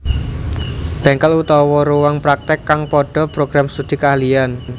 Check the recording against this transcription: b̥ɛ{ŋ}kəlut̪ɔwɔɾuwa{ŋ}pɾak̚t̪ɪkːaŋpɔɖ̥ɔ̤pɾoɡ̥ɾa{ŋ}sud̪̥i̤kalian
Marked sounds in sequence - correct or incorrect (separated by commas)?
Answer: correct, correct, incorrect